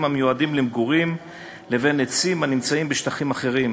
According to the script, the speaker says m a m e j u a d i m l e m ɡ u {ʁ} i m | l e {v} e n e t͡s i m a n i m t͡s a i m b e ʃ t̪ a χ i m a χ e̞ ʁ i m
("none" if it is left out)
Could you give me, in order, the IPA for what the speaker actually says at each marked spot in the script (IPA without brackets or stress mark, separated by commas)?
ʁ, v